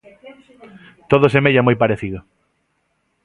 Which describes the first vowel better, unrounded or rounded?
rounded